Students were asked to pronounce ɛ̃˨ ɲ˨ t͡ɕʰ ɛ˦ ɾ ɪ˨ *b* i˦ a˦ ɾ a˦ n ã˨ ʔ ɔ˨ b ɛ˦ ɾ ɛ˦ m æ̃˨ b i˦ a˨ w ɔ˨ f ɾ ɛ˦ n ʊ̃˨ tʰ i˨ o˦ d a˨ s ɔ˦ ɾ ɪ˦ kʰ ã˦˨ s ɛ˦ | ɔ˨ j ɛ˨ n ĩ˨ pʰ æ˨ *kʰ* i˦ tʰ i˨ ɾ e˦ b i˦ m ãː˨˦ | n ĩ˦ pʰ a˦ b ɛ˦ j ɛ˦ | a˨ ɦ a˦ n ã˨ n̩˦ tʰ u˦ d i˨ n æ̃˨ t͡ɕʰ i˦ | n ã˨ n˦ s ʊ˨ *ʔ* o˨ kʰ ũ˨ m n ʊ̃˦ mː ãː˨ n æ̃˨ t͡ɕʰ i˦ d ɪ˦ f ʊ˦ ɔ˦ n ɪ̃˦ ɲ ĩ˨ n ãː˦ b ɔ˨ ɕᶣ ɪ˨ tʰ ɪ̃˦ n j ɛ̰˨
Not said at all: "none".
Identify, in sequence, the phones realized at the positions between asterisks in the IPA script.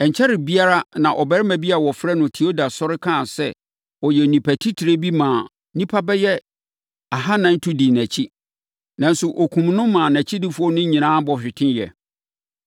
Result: b, tʰ, ʔ

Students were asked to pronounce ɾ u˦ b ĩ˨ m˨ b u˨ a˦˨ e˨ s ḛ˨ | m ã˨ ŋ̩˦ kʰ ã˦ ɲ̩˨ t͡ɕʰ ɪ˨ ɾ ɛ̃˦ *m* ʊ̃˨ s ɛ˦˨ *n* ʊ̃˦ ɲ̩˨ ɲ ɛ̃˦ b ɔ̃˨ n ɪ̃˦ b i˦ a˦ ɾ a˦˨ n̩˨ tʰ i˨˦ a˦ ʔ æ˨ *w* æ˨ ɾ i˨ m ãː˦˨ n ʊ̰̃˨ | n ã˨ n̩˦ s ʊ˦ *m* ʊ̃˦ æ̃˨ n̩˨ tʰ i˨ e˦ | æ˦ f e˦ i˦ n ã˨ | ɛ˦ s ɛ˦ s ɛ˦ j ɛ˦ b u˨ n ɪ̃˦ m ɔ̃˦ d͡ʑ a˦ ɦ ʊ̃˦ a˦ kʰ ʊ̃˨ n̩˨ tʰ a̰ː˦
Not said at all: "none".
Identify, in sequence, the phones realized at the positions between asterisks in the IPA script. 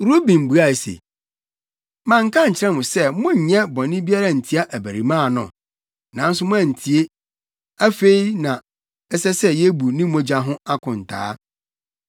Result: m, m, b, m

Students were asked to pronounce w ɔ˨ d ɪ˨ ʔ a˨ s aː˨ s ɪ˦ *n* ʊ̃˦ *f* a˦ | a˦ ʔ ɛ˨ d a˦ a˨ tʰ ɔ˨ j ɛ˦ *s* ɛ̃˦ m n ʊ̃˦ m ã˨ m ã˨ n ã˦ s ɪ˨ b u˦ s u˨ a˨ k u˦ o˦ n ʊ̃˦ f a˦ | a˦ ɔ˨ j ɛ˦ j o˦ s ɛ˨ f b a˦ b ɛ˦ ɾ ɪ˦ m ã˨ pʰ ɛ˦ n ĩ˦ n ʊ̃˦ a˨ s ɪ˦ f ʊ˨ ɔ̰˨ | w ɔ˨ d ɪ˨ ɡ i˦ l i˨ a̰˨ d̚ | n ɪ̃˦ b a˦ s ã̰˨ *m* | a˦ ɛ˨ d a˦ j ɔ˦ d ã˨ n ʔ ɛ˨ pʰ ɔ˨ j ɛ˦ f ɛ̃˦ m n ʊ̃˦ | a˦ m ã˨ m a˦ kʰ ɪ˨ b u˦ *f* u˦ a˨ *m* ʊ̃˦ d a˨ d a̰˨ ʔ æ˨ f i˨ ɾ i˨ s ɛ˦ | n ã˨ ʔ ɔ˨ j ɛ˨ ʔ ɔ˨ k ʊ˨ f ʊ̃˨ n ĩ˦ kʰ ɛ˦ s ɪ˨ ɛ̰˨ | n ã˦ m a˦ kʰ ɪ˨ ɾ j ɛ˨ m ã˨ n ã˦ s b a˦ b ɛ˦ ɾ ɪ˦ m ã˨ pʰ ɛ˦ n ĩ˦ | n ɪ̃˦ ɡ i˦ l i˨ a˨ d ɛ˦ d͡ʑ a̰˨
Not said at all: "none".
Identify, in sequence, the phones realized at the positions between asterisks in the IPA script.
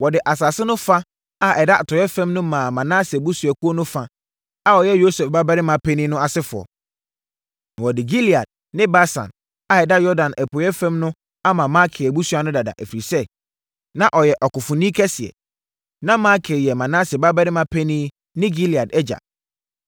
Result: n, f, f, n, s, n

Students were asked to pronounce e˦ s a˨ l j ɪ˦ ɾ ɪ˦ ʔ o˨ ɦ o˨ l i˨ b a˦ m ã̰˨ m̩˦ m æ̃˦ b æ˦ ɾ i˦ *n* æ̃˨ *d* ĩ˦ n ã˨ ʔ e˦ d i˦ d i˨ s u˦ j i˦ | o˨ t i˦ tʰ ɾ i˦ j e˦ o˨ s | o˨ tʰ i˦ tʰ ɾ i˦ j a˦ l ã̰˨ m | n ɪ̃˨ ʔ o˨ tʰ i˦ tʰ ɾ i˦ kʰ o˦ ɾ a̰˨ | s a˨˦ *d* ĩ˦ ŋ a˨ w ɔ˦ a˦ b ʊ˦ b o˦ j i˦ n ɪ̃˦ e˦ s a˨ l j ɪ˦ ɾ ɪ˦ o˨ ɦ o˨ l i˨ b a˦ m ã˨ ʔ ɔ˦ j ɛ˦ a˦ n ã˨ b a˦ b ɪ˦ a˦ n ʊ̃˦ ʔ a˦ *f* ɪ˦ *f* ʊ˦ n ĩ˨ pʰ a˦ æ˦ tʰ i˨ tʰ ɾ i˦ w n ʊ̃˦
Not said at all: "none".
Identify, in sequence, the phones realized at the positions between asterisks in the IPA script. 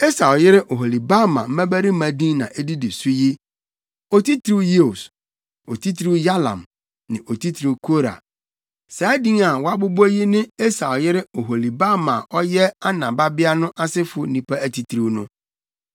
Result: m, d, d, s, f

